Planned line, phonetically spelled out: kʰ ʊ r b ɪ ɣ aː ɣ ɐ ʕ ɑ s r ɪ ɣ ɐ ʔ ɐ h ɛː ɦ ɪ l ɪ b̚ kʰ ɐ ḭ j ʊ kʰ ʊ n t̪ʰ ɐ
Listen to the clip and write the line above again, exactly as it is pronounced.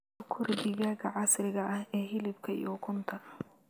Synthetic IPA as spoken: kʰ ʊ r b ɪ ɣ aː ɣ ɐ ʕ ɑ s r ɪ ɣ ɐ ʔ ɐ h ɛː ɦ ɪ l ɪ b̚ kʰ ɐ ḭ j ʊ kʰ ʊ n t̪ʰ ɐ